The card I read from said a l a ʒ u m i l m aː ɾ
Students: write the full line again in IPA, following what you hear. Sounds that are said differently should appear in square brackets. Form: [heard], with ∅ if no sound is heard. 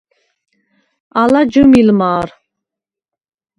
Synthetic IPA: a l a [d͡ʒ] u m i l m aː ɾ